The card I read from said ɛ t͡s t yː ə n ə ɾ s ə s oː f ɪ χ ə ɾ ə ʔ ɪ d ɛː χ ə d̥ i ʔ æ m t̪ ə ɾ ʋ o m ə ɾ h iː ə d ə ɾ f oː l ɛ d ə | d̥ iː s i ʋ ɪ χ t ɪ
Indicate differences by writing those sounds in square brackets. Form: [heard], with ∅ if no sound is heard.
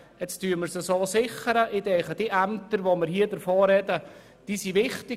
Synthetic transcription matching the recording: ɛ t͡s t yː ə [m] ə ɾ s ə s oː [s] ɪ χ ə ɾ ə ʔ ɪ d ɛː χ ə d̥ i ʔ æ m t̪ ə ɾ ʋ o m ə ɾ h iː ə d ə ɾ f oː [ɾ] ɛ d ə | d̥ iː s i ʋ ɪ χ t ɪ